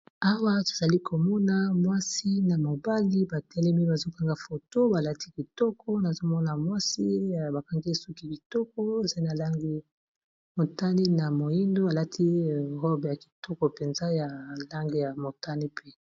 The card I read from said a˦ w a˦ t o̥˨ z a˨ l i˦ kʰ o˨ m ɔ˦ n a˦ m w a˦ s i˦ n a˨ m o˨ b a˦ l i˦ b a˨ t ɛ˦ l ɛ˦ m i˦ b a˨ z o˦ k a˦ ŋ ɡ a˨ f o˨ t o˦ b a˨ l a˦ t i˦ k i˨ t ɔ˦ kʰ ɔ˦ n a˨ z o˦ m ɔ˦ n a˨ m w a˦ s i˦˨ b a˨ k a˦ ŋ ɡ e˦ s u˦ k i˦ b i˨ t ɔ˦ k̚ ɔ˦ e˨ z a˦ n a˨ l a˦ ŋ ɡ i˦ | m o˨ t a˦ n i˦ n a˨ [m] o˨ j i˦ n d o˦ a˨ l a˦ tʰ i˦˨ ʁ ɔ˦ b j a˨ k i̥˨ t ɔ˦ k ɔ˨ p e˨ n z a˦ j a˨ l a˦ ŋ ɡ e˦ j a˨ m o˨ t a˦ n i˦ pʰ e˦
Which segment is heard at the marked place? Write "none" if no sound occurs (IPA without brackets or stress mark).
m